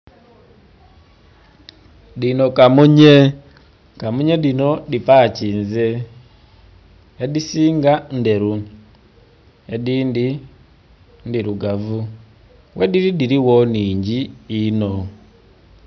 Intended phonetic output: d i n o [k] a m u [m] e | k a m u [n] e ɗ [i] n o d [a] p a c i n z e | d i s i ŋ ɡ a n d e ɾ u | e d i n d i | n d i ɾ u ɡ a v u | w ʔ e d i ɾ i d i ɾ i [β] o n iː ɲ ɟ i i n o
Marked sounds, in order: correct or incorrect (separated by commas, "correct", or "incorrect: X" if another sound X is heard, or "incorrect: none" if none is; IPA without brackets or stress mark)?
correct, incorrect: ɲ, incorrect: ɲ, correct, incorrect: i, incorrect: w